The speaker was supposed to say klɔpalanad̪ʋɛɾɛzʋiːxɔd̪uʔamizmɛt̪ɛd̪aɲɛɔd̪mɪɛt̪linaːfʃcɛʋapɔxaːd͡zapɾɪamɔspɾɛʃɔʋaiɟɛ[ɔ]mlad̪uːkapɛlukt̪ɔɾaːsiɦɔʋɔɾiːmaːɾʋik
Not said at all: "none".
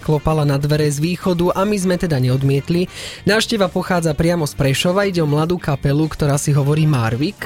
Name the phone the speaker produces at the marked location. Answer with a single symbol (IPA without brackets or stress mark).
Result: ɔ